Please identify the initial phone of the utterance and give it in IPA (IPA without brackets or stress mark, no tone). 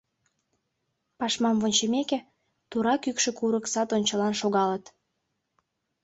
p